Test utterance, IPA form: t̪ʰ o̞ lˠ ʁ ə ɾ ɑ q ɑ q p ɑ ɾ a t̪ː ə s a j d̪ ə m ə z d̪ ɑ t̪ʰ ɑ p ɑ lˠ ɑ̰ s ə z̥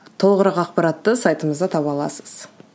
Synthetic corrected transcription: t̪ʰ o̞ lˠ ʁ ə ɾ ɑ q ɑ q p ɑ ɾ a t̪ː ə s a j t̪ ə m ə z d̪ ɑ t̪ʰ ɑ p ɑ lˠ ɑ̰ s ə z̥